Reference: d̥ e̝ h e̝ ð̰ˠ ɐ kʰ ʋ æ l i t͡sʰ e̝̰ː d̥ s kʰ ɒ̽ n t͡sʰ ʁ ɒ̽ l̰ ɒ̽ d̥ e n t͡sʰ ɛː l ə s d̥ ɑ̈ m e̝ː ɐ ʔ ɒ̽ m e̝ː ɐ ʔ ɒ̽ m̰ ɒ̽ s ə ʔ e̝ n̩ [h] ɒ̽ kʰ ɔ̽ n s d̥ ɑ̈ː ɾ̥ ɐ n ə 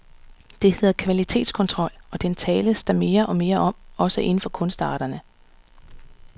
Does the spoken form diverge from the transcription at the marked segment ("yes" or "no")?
yes